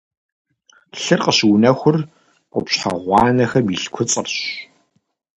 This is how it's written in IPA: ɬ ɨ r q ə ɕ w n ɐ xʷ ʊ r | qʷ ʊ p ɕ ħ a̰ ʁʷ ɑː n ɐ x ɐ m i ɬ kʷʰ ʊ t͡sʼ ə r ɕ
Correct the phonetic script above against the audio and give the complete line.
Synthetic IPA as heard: ɬ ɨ r q ə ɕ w n ɐ xʷ ʊ r | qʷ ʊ p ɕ ħ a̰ ʁʷ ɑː n ɐ x ɐ m i ɬ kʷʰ ʊ t͡sʼ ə r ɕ